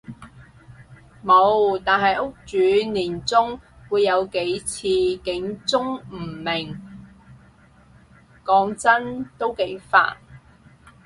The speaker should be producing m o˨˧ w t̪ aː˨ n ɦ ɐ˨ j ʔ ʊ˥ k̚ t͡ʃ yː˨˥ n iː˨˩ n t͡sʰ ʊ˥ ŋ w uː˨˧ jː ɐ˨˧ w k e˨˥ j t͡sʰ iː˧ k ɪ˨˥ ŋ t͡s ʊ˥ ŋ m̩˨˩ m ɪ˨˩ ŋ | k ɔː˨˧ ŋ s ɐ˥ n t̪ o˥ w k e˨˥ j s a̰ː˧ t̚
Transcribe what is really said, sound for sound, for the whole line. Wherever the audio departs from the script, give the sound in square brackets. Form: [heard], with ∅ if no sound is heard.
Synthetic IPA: m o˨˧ w t̪ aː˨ n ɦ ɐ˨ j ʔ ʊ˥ k̚ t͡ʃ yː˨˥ n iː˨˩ n [t͡s] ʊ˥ ŋ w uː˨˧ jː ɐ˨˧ w k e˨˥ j t͡sʰ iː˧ k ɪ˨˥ ŋ t͡s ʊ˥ ŋ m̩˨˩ m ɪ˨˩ ŋ | k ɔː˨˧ ŋ [t͡s] ɐ˥ n t̪ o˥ w k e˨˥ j [f] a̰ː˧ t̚